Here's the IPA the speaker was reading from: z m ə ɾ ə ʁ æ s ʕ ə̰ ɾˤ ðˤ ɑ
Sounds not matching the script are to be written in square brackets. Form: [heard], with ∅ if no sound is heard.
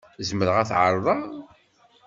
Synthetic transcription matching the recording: z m ə ɾ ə ʁ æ [θ] ʕ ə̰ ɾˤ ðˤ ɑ